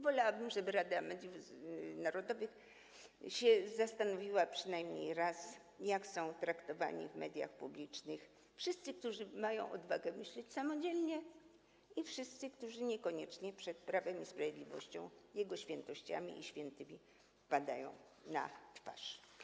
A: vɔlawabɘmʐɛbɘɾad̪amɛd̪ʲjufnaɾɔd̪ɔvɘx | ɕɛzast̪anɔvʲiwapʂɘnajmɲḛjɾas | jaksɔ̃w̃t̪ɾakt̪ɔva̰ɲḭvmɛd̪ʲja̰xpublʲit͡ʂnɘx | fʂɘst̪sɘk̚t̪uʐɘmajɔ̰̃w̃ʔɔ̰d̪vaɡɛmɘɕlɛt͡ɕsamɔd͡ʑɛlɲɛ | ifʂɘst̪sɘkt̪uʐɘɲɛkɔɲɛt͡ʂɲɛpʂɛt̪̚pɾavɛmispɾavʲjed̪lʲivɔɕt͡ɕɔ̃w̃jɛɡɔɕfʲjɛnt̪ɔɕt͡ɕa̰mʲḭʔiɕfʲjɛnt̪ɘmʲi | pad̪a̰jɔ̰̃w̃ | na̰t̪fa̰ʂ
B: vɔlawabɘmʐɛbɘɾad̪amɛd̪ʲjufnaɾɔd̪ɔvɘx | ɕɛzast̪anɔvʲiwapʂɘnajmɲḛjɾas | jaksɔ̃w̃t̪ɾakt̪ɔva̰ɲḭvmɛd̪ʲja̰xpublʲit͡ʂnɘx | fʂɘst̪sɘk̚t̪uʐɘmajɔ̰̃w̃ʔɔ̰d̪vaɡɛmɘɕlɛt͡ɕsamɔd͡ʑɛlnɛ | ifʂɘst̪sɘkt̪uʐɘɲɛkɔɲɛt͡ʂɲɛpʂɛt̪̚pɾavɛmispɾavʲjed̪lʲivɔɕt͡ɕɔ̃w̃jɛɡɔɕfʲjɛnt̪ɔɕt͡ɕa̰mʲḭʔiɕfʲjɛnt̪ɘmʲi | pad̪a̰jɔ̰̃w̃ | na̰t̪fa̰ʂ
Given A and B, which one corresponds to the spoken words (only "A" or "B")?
A